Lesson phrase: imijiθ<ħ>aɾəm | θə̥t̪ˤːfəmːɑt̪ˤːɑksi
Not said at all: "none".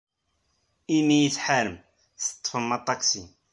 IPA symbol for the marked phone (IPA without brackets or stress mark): ħ